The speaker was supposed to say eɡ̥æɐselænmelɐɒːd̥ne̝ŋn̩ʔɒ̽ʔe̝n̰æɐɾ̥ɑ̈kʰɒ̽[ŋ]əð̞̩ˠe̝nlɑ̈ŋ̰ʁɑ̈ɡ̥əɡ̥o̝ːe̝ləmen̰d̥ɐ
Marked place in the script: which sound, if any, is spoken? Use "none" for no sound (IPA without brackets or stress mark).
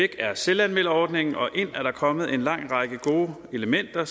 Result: m